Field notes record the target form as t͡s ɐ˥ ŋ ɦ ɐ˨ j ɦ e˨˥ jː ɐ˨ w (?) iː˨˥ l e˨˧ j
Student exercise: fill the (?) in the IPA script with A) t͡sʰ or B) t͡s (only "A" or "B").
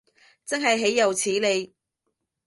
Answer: A